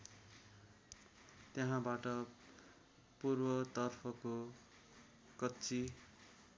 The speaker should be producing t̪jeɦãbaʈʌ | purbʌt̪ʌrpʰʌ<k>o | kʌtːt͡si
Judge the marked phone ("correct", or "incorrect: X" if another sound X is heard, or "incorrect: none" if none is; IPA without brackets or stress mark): correct